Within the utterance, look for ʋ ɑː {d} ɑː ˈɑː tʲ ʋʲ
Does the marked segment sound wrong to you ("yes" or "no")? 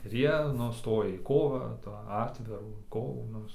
yes